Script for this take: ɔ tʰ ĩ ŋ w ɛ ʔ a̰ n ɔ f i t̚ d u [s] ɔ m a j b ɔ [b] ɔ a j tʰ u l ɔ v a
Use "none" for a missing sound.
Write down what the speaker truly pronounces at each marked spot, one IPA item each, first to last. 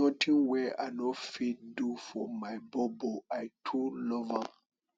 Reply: f, b

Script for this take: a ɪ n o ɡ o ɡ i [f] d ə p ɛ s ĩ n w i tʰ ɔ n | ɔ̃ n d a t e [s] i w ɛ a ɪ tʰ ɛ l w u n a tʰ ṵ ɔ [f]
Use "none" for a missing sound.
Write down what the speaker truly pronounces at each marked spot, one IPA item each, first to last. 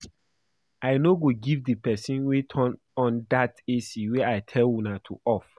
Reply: v, s, f

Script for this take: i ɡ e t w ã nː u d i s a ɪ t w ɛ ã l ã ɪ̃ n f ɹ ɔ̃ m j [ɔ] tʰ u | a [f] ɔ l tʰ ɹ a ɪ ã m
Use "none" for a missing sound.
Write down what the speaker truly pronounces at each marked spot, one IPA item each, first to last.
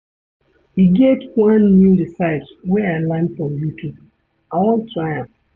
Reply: u, none

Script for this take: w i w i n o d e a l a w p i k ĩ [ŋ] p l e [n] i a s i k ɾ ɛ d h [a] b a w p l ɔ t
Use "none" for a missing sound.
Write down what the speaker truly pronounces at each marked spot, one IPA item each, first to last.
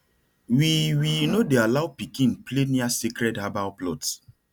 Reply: n, n, a

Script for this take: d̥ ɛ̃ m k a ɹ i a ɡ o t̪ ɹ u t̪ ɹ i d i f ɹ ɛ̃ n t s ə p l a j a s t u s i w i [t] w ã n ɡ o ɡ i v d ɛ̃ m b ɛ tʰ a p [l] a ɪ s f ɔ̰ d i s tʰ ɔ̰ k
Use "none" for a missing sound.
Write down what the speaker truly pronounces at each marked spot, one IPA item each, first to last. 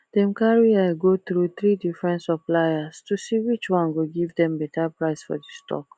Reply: t͡ʃ, ɹ

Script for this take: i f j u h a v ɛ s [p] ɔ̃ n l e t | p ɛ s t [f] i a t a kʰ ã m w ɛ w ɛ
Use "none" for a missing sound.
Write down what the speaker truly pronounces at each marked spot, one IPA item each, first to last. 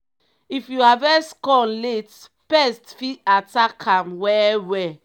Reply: k, f

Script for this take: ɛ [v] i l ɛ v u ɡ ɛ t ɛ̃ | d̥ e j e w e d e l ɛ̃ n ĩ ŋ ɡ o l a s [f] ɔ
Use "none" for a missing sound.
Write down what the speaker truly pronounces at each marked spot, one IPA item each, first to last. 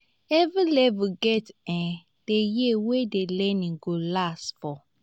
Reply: v, f

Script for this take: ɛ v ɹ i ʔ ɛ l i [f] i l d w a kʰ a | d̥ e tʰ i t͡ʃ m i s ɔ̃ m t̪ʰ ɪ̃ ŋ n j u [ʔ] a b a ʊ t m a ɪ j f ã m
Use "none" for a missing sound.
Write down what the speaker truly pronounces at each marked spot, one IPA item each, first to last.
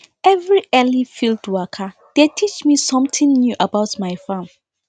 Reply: f, ʔ

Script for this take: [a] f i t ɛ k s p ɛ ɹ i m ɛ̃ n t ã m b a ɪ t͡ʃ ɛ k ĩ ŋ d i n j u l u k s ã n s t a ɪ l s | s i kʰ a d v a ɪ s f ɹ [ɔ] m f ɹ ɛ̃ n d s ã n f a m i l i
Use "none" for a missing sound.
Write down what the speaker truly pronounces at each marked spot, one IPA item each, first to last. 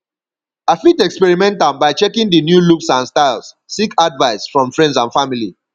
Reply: a, ɔ̃

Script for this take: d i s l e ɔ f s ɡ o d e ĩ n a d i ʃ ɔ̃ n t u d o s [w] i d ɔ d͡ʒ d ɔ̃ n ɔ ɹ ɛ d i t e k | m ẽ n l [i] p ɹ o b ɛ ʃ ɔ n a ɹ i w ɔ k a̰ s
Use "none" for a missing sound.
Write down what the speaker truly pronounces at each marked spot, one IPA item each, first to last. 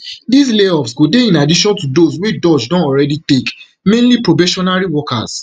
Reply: w, i

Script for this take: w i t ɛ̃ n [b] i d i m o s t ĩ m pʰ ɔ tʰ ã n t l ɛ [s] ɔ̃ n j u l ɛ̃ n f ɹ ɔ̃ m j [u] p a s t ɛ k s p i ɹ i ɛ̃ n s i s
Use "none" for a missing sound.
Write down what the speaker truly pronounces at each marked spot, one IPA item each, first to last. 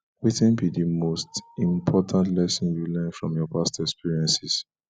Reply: b, s, ɔ

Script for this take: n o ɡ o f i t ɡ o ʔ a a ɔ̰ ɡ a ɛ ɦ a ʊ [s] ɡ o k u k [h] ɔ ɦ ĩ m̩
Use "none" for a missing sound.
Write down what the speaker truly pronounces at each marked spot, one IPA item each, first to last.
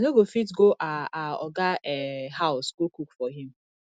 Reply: s, f

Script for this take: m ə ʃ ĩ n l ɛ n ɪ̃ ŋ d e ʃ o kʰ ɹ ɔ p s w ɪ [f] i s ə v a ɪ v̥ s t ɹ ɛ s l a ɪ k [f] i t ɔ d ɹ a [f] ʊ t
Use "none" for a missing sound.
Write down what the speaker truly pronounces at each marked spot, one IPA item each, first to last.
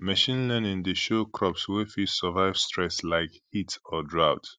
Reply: f, h, none

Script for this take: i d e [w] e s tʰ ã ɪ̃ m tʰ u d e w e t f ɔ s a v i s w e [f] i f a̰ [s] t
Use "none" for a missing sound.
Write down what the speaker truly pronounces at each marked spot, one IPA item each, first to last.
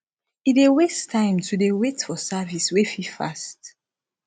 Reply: w, f, s

